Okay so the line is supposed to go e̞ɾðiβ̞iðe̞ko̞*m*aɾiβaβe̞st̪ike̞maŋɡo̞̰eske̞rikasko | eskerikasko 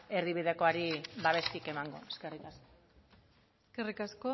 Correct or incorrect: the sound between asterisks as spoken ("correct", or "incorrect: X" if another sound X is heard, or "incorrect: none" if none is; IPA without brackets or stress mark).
incorrect: none